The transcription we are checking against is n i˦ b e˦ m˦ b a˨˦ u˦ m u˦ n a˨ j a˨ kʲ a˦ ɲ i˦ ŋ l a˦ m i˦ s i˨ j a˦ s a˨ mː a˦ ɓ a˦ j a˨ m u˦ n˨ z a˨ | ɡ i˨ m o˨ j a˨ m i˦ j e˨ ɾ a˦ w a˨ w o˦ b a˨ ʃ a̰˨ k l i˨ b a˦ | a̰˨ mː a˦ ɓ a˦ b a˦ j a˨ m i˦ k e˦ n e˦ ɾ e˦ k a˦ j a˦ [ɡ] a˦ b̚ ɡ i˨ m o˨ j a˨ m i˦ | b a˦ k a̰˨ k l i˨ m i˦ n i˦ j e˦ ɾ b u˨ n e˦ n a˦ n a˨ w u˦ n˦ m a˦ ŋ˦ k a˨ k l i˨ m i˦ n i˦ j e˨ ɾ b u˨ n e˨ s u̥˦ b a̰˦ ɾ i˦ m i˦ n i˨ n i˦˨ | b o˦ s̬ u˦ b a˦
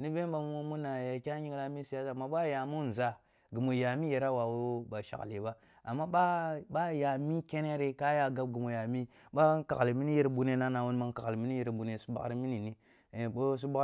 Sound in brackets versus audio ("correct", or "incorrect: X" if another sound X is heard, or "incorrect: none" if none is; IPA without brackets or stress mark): correct